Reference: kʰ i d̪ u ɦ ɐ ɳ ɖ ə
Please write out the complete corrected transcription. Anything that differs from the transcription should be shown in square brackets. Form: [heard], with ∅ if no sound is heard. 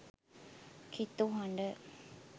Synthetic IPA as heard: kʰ i [t̪] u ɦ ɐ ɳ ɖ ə